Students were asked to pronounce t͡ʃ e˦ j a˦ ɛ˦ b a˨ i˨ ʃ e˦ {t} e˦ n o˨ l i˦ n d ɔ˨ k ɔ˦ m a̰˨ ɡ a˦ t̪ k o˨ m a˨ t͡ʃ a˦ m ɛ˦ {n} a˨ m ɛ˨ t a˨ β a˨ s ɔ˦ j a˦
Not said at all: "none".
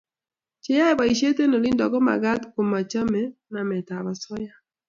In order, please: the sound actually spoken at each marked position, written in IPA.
t, n

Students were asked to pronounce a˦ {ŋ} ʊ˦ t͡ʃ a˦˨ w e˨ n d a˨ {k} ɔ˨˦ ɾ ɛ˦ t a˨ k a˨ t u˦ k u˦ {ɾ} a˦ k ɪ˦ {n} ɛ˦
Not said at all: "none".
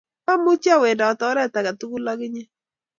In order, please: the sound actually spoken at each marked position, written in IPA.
m, t, l, ɲ

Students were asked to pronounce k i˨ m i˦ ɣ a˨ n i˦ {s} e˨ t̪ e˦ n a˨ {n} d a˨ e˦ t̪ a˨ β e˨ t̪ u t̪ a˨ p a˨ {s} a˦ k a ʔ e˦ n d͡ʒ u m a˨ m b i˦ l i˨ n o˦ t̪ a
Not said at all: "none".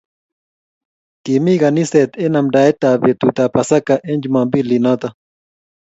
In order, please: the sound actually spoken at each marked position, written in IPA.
s, m, s

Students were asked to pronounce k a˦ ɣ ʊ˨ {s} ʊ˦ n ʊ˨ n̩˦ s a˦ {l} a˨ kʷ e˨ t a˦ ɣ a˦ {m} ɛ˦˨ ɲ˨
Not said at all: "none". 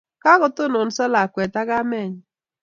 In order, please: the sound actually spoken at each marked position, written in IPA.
t, l, m

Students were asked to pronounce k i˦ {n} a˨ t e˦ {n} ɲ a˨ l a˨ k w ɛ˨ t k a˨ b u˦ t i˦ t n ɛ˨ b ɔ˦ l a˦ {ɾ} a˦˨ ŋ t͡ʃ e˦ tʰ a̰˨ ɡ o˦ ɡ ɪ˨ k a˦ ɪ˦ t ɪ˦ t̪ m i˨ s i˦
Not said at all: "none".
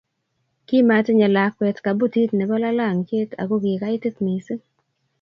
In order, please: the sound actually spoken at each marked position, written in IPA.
m, none, l

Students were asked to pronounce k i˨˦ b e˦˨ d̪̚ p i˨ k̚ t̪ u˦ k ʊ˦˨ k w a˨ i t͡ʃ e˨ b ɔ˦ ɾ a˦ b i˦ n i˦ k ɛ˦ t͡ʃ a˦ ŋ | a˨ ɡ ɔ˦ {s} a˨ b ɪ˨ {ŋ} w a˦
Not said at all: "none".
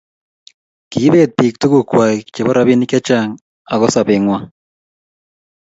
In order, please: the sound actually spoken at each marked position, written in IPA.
s, ŋ

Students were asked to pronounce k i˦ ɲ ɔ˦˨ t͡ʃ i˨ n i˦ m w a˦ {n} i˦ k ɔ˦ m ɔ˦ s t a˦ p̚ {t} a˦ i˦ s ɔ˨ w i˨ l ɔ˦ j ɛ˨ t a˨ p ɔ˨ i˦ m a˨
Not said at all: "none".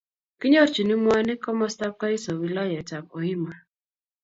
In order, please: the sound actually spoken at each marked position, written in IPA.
n, k

